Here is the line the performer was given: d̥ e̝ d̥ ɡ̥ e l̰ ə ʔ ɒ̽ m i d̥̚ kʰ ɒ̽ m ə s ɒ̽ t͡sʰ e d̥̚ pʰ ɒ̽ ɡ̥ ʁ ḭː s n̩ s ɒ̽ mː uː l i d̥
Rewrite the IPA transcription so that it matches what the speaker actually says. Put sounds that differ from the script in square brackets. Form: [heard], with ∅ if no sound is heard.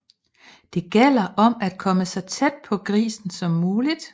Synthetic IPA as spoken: d̥ e̝ [∅] ɡ̥ e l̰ [ɐ] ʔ ɒ̽ m [æ] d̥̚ kʰ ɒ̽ m ə s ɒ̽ t͡sʰ e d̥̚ pʰ ɒ̽ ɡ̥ ʁ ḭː s n̩ s ɒ̽ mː uː l i d̥

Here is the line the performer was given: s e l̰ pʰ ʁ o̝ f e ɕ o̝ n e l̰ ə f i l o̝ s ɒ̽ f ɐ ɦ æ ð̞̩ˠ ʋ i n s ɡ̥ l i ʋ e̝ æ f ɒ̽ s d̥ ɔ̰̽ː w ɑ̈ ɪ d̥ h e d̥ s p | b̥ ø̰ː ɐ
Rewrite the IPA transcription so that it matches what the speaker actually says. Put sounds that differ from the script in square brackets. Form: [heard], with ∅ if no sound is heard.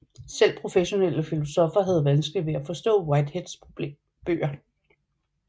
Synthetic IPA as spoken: s e l̰ pʰ ʁ o̝ f e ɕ o̝ n e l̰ ə f i l o̝ s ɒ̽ f ɐ ɦ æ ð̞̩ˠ ʋ [æ] n s ɡ̥ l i ʋ e̝ æ f ɒ̽ s d̥ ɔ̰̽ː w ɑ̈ ɪ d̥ h e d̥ s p | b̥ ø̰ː ɐ

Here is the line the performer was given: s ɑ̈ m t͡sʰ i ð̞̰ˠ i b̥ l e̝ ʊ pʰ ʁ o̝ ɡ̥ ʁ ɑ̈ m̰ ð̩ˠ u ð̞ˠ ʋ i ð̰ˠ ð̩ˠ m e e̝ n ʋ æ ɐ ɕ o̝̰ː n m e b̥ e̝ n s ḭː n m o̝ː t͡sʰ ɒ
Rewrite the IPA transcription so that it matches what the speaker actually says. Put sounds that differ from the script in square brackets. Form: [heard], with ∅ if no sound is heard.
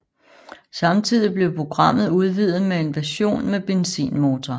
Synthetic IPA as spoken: s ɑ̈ m t͡sʰ i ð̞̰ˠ i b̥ l e̝ ʊ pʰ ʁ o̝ ɡ̥ ʁ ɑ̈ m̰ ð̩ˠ u ð̞ˠ ʋ i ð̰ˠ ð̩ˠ m e e̝ n ʋ æ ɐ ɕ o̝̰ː n m e b̥ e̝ n s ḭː n m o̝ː t͡sʰ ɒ

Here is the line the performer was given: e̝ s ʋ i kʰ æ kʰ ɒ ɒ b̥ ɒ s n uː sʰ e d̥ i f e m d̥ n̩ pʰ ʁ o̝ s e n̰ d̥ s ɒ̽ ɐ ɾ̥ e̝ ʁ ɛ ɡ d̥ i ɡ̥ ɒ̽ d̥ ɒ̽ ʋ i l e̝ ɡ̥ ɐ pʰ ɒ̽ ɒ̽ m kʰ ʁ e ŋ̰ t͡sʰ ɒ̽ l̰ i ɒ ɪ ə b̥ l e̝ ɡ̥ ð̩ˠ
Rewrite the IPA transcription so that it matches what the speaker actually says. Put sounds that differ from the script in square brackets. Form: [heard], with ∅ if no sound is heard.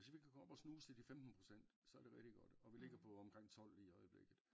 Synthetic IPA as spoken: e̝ s ʋ i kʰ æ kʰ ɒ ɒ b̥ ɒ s n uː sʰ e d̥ i f e m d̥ n̩ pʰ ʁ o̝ s e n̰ d̥ s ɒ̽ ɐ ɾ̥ e̝ ʁ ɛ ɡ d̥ i ɡ̥ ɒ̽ d̥ ɒ̽ ʋ i l e̝ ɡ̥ ɐ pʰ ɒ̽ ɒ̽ m kʰ ʁ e ŋ̰ t͡sʰ ɒ̽ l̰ i ɒ ɪ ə b̥ l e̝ ɡ̥ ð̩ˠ

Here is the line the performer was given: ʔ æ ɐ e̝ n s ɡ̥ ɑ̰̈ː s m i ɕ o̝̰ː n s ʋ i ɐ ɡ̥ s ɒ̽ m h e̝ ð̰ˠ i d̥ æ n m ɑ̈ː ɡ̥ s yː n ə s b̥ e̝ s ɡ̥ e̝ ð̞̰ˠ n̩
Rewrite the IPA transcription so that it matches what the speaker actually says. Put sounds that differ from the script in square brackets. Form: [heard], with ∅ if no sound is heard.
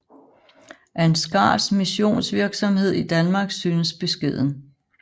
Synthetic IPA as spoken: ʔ æ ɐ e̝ n s ɡ̥ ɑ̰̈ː s m i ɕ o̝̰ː n s ʋ i ɐ ɡ̥ s ɒ̽ m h e̝ ð̰ˠ i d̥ æ n m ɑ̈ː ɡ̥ s yː n ə s b̥ e̝ s ɡ̥ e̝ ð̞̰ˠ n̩

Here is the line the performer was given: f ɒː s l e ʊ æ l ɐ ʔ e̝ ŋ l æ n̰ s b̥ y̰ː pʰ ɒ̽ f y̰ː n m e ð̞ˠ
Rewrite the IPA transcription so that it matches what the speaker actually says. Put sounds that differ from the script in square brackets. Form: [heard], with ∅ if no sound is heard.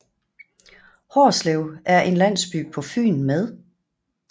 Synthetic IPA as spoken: [h] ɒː s l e ʊ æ [∅] ɐ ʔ e̝ [n] l æ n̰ s b̥ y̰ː pʰ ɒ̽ f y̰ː n m e ð̞ˠ

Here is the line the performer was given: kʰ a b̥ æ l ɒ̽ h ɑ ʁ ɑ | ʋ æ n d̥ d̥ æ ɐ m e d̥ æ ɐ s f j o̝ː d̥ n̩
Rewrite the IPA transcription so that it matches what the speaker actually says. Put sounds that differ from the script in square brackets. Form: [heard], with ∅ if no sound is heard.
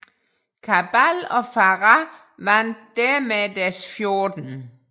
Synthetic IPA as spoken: kʰ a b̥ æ l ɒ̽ [f] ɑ ʁ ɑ | ʋ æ n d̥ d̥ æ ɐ m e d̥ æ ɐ s f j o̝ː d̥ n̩

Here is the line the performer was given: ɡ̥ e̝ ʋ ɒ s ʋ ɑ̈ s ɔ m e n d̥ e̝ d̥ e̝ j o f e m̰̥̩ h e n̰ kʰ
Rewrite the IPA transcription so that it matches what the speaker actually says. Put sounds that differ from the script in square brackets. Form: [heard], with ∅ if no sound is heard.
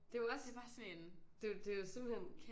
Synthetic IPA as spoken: [d̥] e̝ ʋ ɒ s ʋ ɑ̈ s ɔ [n] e n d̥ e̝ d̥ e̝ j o [s] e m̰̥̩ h e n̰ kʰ

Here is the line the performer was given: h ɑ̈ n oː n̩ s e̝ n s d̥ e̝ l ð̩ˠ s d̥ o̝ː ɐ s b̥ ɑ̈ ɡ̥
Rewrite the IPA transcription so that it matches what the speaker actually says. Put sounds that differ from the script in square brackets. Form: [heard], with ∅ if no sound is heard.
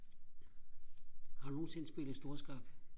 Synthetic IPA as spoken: h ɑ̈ n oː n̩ s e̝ n s [b̥] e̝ l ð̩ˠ s d̥ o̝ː ɐ s [ɡ̥] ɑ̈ ɡ̥

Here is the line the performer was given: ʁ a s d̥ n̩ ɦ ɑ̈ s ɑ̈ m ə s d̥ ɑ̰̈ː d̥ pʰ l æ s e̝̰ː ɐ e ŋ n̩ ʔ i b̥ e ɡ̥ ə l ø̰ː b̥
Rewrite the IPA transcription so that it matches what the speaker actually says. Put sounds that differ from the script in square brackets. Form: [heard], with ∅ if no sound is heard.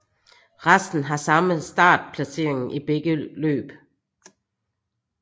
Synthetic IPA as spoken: ʁ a s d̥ n̩ ɦ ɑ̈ s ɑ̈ m ə s d̥ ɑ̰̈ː d̥ pʰ l æ s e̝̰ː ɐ e ŋ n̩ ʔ i b̥ e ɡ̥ ə l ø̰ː b̥

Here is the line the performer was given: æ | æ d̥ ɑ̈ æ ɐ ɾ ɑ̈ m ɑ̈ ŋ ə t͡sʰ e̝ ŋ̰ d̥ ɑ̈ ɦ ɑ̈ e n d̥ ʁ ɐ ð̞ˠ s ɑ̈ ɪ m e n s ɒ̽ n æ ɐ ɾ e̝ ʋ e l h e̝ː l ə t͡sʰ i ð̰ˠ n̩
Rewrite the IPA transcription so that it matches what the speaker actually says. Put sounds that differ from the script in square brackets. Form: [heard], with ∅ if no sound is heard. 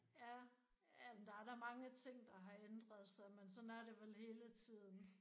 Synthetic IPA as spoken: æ | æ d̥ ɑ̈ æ ɐ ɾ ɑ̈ m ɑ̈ ŋ ə t͡sʰ e̝ ŋ̰ d̥ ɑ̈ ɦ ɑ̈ e n d̥ ʁ ɐ ð̞ˠ s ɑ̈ ɪ m e n s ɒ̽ n æ ɐ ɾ e̝ ʋ e l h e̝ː l ə t͡sʰ i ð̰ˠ n̩

